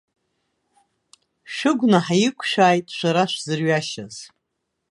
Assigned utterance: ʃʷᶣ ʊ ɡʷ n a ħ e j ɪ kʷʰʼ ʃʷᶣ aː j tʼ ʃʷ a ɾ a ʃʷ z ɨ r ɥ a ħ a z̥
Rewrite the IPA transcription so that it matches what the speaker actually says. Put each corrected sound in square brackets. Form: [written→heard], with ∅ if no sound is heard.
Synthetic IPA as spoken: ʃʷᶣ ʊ ɡʷ n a ħ [e→a] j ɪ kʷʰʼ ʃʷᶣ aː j tʼ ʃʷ a ɾ a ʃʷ z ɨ r ɥ a [ħ→ʃ] a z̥

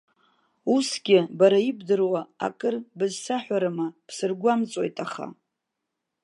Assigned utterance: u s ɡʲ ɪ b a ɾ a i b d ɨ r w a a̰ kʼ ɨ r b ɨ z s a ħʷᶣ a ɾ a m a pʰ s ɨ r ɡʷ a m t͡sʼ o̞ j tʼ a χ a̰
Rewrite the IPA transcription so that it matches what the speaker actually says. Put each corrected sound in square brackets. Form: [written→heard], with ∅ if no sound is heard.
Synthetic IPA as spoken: u s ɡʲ ɪ b a ɾ a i b d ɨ r w a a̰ kʼ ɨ r b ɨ z s a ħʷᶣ a ɾ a m a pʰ s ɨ r ɡʷ a m t͡sʼ o̞ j tʼ a χ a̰

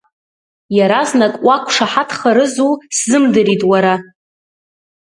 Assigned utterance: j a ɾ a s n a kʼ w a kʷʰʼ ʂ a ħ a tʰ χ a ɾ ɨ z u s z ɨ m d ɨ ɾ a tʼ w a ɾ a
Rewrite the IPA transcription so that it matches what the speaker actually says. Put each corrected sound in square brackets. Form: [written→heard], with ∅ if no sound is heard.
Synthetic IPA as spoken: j a ɾ a [s→z] n a kʼ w a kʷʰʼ ʂ a ħ a tʰ χ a ɾ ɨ z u s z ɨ m d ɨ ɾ [a→i] tʼ w a ɾ a

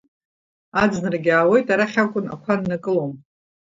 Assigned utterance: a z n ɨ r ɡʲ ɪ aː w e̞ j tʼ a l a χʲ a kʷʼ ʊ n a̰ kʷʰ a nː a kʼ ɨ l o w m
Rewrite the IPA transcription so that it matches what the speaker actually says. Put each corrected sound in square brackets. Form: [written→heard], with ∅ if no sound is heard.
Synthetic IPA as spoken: a [z→d͡z] n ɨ r ɡʲ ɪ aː w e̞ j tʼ a [l→ɾ] a χʲ a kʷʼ ʊ n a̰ kʷʰ a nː a kʼ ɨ l o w m

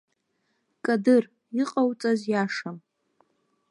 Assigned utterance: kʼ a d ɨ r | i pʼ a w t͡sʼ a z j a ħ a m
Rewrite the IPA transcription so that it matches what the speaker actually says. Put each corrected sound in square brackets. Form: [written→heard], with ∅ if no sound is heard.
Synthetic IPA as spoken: kʼ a d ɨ r | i [pʼ→qʼ] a w t͡sʼ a z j a [ħ→ʂ] a m

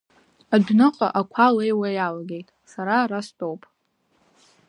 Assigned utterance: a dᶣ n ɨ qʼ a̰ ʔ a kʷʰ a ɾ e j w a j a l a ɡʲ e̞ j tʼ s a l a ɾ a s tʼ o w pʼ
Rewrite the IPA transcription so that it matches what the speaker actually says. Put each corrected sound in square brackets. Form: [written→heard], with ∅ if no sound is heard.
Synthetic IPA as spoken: a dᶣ n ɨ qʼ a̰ ʔ a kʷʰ a [ɾ→l] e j w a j a l a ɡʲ e̞ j tʼ s a [l→ɾ] a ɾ a s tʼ o w pʼ

